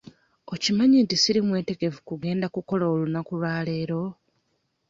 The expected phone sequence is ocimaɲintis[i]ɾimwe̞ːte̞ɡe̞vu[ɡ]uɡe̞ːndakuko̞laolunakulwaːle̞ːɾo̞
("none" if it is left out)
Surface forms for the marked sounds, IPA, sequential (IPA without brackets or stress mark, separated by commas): i, k